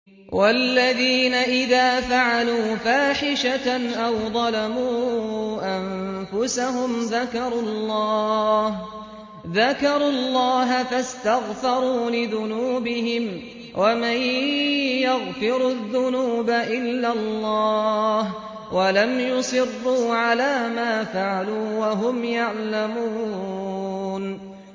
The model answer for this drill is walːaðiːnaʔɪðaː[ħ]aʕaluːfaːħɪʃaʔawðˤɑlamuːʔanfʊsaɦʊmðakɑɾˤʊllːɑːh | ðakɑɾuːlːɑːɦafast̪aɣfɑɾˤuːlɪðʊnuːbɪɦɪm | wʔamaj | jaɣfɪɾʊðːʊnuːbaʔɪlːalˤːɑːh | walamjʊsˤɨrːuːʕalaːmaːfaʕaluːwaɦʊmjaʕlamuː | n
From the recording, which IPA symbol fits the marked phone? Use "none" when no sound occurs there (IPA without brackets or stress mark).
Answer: f